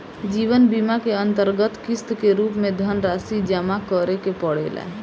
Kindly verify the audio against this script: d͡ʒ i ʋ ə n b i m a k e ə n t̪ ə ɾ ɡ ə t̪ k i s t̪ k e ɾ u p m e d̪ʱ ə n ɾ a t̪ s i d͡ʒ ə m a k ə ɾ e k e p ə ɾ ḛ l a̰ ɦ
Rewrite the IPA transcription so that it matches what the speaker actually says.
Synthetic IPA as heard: d͡ʒ i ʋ ə n b i m a k e ə n t̪ ə ɾ ɡ ə t̪ k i s t̪ k e ɾ u p m e d̪ʱ ə n ɾ a s i d͡ʒ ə m a k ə ɾ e k e p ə ɽ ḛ l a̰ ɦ